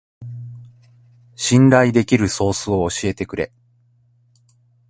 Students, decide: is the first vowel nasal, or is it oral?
nasal